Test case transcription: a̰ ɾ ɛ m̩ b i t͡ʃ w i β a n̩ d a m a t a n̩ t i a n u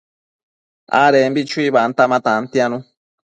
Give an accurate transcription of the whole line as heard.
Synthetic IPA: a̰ ɾ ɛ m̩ b i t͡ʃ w i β a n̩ t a m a t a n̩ t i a n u